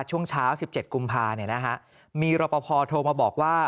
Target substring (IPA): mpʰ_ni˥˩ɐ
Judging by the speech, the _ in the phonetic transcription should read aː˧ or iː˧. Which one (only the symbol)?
aː˧